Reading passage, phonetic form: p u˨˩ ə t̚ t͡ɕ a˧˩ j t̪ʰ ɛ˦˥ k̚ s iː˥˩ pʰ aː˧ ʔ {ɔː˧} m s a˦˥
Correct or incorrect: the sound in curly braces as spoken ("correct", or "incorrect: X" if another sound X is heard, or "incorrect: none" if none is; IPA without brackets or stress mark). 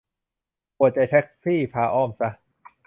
incorrect: ɔː˥˩